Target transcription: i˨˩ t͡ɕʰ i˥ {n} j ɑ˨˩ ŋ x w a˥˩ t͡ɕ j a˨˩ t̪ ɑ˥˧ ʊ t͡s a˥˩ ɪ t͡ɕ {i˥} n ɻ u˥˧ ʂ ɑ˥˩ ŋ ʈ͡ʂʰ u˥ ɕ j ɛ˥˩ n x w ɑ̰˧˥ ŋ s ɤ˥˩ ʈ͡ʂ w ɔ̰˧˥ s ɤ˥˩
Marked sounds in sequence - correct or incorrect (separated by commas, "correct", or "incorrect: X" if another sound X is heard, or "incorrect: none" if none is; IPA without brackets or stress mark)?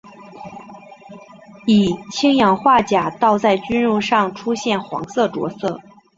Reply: incorrect: ŋ, incorrect: y˥